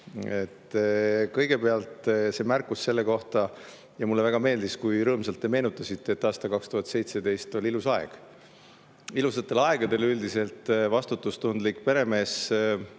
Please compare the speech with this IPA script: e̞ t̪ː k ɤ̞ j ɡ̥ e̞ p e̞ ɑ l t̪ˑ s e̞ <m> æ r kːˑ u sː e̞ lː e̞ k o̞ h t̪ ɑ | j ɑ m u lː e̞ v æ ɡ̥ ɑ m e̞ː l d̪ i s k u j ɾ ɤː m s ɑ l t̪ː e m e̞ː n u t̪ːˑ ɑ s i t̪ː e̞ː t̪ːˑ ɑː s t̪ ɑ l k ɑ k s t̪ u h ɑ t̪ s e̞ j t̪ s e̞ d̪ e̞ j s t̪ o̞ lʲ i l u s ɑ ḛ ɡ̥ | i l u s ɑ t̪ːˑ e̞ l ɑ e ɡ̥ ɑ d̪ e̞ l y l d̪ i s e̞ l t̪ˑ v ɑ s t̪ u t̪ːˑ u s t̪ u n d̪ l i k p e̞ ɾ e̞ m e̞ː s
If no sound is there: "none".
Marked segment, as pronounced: m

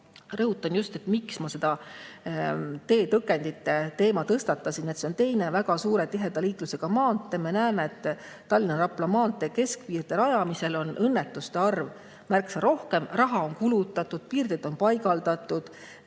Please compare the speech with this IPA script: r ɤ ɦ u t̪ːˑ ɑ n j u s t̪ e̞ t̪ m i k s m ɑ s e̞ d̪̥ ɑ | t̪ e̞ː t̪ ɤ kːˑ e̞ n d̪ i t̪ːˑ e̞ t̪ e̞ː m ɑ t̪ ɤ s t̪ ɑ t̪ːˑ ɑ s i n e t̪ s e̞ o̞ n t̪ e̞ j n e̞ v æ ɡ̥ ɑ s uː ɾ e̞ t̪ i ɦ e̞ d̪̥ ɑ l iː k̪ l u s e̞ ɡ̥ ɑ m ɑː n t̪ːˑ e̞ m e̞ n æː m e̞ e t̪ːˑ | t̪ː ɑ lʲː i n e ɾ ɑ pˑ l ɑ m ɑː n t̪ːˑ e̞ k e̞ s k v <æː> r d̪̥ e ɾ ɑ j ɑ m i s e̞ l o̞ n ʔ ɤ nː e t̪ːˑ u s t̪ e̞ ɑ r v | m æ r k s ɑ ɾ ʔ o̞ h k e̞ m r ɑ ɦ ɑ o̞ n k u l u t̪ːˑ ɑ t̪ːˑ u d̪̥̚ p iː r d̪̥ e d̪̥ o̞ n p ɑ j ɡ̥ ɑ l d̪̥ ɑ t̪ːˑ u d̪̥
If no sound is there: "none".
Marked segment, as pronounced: iː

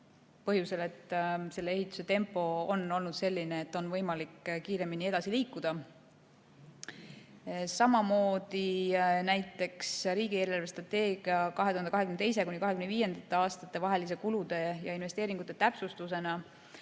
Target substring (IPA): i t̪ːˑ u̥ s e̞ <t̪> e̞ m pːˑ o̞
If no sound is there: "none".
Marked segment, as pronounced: t̪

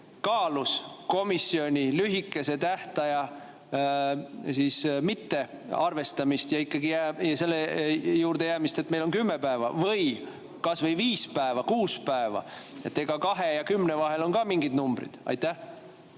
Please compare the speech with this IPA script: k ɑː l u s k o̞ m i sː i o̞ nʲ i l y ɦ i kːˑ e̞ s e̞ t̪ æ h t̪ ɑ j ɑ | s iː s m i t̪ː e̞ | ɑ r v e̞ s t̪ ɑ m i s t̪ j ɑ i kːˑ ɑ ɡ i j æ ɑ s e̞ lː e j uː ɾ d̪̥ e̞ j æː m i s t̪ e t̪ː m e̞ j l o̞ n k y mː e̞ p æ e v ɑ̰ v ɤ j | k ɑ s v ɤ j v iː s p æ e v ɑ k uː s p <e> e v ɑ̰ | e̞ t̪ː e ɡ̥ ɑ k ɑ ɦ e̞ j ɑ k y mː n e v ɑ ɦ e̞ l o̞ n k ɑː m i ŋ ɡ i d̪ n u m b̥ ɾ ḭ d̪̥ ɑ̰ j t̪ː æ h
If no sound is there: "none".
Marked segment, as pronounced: æ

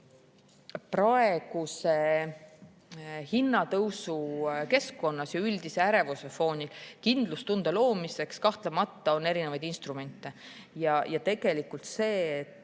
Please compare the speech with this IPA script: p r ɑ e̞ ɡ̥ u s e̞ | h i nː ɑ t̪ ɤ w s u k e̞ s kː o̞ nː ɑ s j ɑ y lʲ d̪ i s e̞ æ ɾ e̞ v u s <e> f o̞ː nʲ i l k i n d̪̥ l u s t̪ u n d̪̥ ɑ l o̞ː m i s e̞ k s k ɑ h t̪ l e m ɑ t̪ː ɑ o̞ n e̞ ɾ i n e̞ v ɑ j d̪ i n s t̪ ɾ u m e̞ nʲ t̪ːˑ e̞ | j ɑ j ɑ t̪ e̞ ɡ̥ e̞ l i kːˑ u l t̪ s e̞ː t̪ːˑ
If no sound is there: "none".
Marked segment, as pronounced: e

